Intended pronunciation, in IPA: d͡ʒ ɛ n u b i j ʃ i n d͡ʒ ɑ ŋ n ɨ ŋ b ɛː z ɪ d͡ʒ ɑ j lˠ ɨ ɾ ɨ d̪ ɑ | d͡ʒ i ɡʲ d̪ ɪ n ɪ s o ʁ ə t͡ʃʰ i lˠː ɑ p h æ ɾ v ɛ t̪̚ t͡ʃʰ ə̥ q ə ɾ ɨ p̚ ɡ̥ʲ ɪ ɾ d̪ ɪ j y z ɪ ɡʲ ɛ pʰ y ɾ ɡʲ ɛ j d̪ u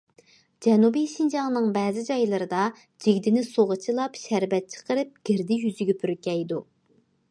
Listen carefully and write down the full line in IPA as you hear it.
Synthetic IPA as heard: d͡ʒ ɛ n u b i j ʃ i n d͡ʒ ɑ ŋ n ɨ ŋ b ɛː z ɪ d͡ʒ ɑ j lˠ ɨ ɾ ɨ d̪ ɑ | d͡ʒ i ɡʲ d̪ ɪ n ɪ s o ʁ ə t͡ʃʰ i lˠ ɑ p ʃ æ ɾ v ɛ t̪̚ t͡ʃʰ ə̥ q ə ɾ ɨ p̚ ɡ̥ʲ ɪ ɾ d̪ ɪ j y z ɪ ɡʲ ɛ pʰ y ɾ kʲ ɛ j d̪ u